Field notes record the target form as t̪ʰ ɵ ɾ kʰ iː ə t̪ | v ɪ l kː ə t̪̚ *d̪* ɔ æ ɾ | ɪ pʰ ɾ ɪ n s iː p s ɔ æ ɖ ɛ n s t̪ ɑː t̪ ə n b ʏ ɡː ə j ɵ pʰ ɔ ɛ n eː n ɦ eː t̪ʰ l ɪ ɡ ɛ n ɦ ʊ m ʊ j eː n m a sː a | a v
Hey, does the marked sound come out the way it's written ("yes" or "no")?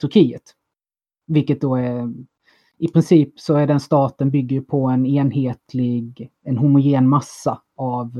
yes